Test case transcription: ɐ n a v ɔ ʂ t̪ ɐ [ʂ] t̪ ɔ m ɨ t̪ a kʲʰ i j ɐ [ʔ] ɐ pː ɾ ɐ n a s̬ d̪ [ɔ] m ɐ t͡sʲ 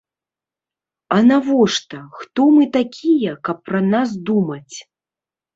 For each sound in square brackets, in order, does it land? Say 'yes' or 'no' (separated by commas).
no, no, no